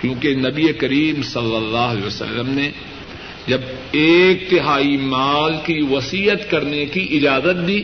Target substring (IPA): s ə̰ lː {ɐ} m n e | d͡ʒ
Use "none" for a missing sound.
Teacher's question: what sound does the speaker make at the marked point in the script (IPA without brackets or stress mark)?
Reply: ə